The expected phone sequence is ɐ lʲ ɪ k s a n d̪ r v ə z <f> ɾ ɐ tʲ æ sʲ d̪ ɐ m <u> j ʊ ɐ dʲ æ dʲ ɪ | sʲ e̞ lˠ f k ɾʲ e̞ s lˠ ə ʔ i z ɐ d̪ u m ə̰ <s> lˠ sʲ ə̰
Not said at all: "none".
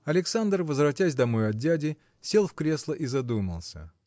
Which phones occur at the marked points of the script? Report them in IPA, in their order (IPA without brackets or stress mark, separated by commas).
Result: v, o, none